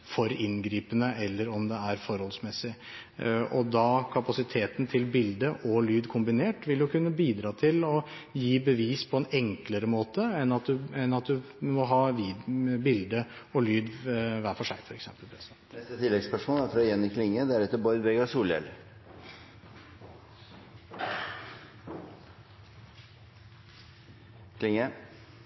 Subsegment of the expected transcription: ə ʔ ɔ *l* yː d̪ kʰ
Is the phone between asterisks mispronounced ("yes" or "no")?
no